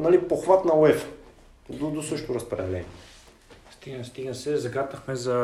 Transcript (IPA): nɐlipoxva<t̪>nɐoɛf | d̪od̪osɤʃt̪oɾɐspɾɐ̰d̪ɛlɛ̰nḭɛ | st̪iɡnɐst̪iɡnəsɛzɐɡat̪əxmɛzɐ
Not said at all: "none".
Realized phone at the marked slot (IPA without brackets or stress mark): t̪